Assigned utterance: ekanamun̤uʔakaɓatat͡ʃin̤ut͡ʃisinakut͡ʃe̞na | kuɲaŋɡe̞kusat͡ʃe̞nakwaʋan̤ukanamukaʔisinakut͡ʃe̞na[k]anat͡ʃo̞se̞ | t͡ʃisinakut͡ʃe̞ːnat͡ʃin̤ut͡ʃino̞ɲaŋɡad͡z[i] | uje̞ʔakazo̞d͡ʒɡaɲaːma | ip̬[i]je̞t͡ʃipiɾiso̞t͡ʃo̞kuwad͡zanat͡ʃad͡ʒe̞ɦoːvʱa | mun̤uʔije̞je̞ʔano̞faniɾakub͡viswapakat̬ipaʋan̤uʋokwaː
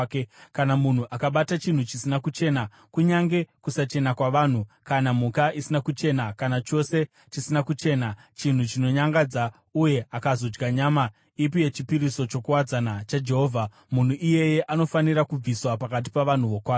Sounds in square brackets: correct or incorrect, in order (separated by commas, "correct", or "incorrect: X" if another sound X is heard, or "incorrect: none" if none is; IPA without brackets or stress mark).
correct, incorrect: a, correct